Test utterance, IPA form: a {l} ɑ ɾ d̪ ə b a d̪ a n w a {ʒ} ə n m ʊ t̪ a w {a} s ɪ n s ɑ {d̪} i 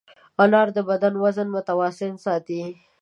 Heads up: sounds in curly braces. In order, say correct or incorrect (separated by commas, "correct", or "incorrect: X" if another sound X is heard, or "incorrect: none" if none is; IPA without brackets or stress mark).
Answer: correct, incorrect: z, incorrect: ɑ, incorrect: t̪